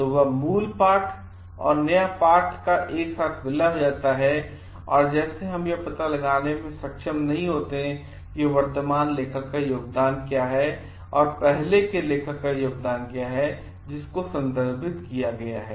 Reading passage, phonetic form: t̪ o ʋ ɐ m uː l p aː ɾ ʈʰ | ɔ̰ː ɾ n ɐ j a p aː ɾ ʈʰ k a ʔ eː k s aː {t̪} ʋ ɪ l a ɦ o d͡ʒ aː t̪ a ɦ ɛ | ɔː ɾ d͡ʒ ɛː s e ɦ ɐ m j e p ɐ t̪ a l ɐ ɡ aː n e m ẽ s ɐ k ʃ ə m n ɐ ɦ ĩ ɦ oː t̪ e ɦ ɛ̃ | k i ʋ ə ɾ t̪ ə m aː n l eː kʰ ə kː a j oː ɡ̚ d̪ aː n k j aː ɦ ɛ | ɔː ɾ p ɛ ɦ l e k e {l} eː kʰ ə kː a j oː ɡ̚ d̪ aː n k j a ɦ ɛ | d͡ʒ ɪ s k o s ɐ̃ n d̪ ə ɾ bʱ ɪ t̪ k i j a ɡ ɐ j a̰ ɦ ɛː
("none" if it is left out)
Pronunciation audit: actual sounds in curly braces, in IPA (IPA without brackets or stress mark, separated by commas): t̪ʰ, l